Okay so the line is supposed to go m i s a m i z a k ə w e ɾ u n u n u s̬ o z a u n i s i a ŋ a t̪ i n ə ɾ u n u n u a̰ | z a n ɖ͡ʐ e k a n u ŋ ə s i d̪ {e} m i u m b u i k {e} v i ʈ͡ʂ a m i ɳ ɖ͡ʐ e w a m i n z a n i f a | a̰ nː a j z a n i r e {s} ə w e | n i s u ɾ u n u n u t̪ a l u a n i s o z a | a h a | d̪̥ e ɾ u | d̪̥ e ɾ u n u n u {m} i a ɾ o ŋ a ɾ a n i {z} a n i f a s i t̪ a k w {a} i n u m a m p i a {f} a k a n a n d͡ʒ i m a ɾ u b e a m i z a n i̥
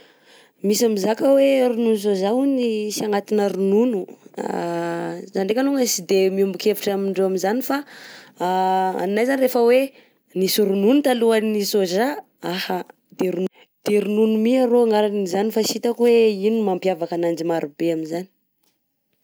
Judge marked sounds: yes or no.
yes, yes, no, yes, yes, no, no

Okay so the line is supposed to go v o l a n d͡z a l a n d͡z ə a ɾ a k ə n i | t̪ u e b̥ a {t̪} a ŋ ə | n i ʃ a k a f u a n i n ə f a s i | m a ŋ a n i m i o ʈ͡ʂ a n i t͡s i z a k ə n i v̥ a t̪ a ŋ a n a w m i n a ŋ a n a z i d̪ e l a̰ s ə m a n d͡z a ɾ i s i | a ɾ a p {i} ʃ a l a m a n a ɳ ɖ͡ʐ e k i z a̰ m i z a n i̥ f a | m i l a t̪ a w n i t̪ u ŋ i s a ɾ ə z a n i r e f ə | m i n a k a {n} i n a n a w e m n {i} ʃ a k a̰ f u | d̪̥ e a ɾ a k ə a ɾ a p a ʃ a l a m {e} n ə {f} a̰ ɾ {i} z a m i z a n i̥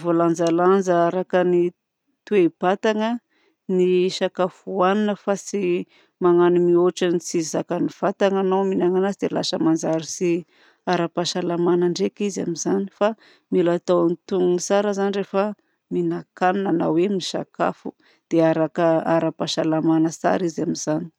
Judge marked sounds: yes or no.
yes, no, yes, yes, no, no, yes

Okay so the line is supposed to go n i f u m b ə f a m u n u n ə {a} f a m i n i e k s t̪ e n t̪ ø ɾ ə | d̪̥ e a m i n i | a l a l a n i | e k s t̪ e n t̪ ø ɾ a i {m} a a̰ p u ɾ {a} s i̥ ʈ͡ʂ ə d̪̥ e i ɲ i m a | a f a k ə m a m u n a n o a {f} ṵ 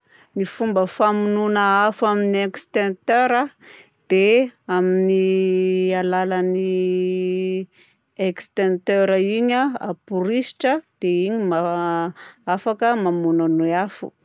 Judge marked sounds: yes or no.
yes, no, no, yes

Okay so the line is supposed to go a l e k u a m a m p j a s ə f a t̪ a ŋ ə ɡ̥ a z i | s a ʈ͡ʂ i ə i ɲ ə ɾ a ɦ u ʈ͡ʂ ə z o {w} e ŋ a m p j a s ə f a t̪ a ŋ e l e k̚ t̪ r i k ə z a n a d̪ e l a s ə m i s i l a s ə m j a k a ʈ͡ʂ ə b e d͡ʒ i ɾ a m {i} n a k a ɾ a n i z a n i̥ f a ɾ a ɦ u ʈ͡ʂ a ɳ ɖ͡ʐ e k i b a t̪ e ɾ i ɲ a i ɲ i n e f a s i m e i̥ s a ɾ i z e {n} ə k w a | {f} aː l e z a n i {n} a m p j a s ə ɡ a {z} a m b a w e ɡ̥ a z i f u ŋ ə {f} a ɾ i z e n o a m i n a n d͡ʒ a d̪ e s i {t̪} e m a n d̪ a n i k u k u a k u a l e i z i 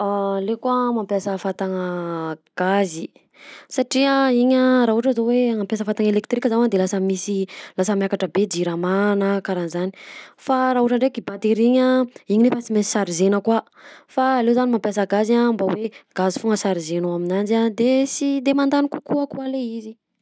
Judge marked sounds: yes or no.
yes, no, yes, yes, no, yes, no, no

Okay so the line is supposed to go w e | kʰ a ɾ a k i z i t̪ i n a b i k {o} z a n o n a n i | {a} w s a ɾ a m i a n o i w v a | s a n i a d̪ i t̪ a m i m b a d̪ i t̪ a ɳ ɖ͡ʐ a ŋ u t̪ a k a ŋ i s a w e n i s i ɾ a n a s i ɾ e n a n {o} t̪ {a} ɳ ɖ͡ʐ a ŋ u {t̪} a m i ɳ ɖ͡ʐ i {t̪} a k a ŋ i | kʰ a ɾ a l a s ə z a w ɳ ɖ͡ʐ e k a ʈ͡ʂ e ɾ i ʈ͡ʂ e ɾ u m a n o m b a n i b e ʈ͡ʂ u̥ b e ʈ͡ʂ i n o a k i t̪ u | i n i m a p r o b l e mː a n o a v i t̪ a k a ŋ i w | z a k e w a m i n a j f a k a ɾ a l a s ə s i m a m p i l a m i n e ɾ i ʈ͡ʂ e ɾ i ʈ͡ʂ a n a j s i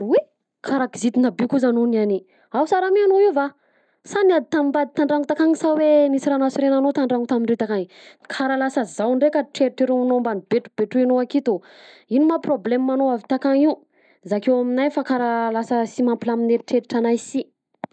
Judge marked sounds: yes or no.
no, yes, yes, yes, yes, yes

